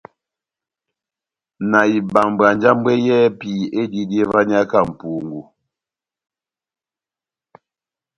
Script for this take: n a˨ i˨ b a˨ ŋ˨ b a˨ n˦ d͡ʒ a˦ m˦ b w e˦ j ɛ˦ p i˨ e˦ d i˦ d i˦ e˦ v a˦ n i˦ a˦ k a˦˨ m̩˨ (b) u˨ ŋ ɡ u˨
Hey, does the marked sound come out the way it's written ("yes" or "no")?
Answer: no